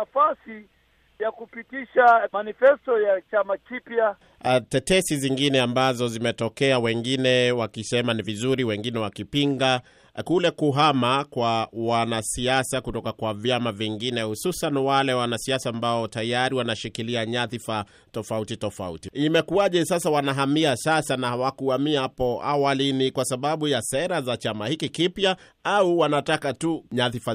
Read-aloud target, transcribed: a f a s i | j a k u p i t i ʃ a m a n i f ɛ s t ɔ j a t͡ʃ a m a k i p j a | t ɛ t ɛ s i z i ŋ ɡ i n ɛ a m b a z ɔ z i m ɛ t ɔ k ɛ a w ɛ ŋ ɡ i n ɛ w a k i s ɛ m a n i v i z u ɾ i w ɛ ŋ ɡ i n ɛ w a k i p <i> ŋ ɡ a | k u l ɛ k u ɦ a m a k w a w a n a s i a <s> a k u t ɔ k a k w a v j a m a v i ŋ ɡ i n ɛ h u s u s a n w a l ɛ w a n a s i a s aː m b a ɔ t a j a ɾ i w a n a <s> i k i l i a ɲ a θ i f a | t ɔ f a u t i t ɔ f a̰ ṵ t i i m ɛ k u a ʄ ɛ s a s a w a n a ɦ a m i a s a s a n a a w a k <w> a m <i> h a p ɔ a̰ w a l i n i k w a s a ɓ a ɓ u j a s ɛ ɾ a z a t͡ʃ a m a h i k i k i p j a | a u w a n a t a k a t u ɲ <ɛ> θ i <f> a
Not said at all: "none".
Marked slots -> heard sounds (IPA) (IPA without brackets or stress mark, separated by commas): i, s, ʃ, u, i, a, f